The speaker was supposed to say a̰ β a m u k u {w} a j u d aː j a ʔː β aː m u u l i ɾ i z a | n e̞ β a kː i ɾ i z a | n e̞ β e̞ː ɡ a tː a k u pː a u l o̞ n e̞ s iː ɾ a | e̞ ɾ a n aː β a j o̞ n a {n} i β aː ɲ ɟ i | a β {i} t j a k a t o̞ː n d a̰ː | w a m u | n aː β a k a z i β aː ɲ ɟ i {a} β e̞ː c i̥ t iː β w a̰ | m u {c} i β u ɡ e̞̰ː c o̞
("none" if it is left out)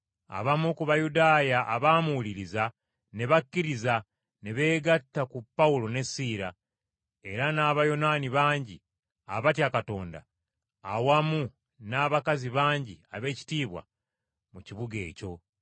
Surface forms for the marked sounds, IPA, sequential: β, n, a, a, c

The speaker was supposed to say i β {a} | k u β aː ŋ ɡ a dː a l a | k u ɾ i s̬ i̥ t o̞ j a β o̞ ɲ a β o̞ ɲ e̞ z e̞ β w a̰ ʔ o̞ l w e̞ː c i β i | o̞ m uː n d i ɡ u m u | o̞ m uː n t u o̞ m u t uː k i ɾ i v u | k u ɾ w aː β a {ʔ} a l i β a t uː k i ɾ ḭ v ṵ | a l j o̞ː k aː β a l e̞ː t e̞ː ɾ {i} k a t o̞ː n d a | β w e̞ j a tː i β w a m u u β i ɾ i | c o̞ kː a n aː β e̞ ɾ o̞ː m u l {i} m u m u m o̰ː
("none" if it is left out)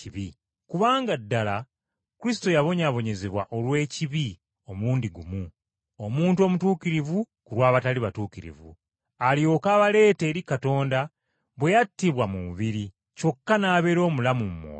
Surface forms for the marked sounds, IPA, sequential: i, t, i, a

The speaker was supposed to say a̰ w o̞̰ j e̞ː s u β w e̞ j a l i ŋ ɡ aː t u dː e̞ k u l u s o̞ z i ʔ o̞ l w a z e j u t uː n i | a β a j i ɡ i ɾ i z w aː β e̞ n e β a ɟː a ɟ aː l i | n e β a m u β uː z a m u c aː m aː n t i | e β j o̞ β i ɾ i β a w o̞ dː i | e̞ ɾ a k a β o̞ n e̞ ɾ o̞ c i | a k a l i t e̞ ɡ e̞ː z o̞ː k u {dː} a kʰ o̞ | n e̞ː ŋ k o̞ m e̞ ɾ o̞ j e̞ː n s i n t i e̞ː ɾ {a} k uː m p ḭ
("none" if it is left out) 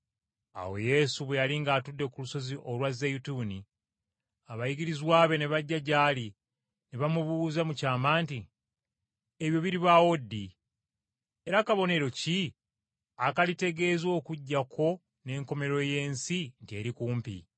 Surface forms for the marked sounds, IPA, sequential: ɟː, i

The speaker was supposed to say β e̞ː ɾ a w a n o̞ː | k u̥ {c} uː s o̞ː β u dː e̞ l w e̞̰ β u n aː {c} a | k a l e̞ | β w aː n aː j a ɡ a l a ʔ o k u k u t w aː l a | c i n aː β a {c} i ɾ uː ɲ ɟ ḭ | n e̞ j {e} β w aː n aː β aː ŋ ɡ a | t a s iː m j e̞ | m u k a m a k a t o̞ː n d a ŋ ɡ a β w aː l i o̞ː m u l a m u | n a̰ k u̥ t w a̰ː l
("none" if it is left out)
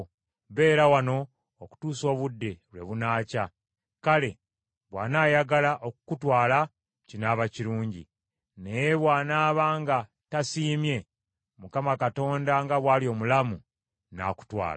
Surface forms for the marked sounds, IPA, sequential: t, c, c, e

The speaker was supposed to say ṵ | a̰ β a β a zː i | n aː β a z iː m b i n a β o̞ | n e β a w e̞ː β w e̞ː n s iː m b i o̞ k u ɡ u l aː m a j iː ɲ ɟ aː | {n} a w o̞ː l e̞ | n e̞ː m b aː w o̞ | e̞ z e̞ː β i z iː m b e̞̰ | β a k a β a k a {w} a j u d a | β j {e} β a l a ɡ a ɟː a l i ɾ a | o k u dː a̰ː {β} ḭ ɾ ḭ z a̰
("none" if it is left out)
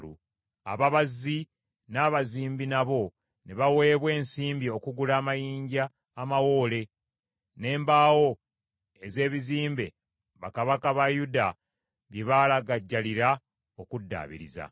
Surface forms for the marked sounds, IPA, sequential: m, β, e, β

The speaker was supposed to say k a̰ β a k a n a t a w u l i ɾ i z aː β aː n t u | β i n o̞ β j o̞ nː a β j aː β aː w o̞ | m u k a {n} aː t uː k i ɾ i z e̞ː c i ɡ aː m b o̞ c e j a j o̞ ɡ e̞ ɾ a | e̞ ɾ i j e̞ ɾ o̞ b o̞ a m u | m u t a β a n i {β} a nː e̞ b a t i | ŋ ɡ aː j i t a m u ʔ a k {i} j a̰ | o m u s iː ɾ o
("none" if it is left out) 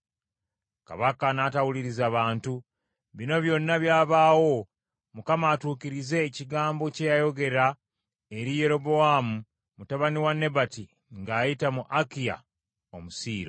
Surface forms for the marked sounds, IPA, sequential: m, w, i

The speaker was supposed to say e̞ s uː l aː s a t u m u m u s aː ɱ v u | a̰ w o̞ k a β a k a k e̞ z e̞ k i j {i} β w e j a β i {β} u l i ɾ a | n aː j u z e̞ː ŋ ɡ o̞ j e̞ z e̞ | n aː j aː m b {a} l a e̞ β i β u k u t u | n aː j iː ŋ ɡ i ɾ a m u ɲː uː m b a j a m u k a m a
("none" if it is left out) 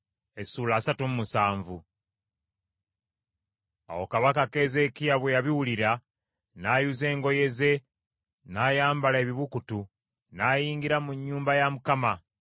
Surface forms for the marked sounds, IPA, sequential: a, w, a

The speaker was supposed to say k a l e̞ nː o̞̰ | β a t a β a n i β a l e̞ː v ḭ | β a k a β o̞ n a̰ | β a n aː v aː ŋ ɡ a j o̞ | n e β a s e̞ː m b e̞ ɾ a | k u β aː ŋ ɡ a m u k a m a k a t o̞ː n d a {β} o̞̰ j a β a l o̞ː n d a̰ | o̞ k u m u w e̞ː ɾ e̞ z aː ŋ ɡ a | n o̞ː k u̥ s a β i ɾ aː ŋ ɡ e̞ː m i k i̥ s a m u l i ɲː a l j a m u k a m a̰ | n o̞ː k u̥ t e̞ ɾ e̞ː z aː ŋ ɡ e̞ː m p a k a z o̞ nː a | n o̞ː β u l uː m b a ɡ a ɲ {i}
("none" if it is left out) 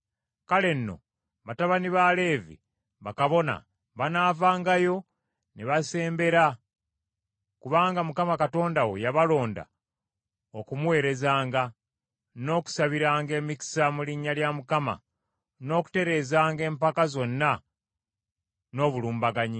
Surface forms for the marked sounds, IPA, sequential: w, i

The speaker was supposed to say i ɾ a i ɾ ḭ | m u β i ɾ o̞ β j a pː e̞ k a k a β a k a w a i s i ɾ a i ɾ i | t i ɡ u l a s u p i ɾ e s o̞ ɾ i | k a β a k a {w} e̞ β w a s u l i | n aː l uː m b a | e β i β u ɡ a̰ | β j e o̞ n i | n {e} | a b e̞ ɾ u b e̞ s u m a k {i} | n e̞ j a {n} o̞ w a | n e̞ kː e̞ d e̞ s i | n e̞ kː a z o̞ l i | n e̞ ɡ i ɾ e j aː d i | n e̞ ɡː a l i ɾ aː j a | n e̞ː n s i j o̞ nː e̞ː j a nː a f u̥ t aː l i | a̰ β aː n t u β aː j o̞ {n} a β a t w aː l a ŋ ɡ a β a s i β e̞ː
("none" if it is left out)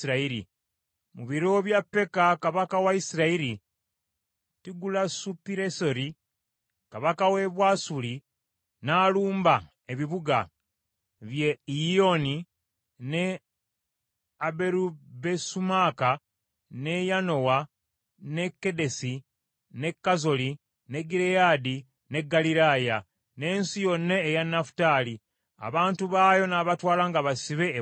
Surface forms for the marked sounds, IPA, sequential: w, e, a, n, n

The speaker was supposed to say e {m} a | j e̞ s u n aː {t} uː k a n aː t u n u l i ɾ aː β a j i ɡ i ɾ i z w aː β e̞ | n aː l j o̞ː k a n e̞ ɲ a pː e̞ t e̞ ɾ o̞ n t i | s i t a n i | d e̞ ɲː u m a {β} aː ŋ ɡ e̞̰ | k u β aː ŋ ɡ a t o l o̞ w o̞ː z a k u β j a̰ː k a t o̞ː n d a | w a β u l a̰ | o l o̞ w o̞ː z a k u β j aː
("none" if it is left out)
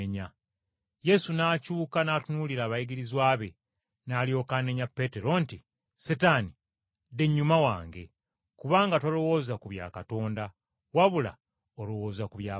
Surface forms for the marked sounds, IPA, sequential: ɲ, c, w

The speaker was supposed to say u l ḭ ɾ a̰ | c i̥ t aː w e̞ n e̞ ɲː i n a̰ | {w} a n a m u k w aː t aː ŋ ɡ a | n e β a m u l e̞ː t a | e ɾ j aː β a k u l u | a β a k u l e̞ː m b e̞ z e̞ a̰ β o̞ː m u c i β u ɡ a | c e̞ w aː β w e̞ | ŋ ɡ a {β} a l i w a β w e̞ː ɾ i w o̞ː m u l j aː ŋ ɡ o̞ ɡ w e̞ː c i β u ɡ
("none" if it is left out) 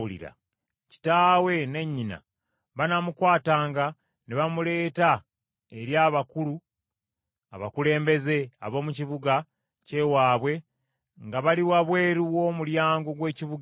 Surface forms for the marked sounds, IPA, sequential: β, β

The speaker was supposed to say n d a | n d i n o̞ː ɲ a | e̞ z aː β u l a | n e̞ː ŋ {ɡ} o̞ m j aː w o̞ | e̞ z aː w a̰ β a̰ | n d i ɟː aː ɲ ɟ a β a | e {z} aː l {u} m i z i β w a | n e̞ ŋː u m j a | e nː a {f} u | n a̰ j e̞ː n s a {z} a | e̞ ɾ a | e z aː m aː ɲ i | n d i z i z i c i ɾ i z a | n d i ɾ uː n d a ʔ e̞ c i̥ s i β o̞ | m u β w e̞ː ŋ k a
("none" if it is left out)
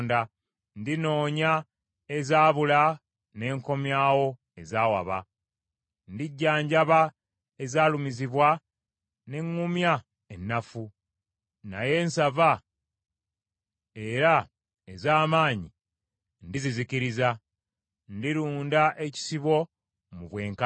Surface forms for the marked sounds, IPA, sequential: k, z, u, f, v

